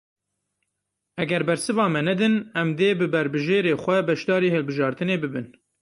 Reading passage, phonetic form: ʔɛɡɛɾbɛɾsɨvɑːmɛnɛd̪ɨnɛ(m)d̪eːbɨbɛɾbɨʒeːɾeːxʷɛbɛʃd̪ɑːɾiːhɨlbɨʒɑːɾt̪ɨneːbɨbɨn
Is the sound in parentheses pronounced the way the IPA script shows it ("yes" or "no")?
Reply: yes